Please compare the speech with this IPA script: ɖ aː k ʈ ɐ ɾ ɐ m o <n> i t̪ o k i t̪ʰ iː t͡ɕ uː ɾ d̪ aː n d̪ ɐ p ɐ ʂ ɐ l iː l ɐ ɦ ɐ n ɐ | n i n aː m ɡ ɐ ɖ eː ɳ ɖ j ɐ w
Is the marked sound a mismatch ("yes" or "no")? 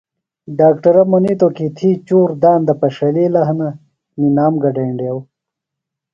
no